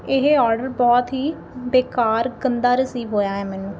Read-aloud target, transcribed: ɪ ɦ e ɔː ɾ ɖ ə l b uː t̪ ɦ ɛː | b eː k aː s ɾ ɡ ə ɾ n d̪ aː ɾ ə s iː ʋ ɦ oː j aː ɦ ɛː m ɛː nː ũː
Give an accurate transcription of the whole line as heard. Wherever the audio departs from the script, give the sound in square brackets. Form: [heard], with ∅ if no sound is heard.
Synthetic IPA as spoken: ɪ ɦ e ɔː ɾ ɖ ə [ɾ] b [ɔː] t̪ ɦ [iː] | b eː k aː [∅] ɾ ɡ ə [∅] n d̪ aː ɾ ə s iː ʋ ɦ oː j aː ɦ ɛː m ɛː [n] ũː

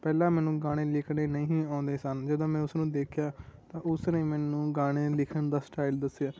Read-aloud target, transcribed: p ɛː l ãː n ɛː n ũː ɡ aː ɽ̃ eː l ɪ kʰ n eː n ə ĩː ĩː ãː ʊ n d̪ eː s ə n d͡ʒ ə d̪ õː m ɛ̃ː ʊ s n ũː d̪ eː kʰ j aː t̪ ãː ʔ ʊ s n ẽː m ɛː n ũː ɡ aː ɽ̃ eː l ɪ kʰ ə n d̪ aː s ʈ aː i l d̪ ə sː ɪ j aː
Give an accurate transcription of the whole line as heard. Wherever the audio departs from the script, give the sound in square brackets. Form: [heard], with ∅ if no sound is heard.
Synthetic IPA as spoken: p ɛː l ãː [m] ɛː n ũː ɡ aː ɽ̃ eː l ɪ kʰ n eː n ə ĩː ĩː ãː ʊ n d̪ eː s ə n d͡ʒ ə d̪ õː m ɛ̃ː ʊ s n ũː d̪ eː kʰ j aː t̪ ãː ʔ ʊ s n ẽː m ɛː n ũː ɡ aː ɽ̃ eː l ɪ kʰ ə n d̪ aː s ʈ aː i l d̪ ə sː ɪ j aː

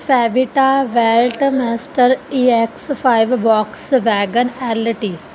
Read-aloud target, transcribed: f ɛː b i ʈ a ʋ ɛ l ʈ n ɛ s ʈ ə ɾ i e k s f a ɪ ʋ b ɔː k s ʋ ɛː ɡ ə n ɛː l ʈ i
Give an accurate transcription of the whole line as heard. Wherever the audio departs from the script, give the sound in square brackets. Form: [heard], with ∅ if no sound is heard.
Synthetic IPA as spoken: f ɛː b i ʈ a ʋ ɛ l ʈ [m] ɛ s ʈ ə ɾ i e k s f a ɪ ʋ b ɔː k s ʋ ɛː ɡ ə n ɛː l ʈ i

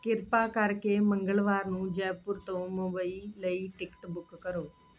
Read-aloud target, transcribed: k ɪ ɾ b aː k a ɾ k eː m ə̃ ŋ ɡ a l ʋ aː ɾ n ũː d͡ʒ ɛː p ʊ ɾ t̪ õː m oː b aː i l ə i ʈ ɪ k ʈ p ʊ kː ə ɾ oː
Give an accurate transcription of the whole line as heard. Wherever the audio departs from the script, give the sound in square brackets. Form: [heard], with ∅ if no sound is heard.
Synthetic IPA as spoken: k ɪ ɾ [p] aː k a ɾ k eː m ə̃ ŋ ɡ [ə] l ʋ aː ɾ n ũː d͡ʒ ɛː p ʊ ɾ t̪ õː m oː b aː i l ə i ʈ ɪ k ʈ [b] ʊ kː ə ɾ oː

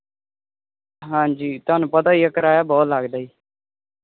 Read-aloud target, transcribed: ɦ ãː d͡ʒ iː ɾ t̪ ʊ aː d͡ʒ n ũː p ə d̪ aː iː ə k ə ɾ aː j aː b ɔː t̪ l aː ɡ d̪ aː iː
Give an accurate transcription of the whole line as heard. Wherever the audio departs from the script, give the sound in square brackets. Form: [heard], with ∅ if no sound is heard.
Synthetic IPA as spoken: ɦ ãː d͡ʒ iː [∅] t̪ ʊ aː [∅] n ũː p ə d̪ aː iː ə k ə ɾ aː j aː b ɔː t̪ l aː ɡ d̪ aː iː

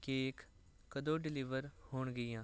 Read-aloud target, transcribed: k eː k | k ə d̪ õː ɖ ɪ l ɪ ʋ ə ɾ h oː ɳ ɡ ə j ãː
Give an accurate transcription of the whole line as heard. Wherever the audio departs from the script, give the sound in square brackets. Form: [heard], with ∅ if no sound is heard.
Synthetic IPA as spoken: k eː k | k ə d̪ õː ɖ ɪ l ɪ ʋ ə ɾ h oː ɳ ɡ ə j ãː

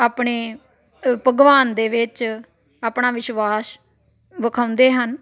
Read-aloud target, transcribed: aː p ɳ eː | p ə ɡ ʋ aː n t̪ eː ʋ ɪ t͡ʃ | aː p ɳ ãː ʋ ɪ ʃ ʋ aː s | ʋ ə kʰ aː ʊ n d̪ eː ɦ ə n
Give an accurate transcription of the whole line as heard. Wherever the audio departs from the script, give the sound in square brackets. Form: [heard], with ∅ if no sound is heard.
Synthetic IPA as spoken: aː p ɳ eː | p ə ɡ ʋ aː n [d̪] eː ʋ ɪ t͡ʃ | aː p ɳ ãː ʋ ɪ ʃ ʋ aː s | ʋ ə kʰ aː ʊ n d̪ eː ɦ ə n

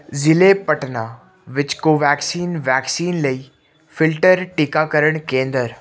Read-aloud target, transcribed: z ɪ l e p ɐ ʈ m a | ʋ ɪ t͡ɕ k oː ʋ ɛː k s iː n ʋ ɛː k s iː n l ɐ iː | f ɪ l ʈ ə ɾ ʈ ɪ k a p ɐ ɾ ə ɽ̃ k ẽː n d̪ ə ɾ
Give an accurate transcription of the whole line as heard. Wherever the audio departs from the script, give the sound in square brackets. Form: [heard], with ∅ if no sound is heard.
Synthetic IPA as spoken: z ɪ l e p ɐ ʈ [n] a | ʋ ɪ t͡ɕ k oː ʋ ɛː k s iː n ʋ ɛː k s iː n l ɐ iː | f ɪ l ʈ ə ɾ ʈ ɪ k a [k] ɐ ɾ ə ɽ̃ k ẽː n d̪ ə ɾ

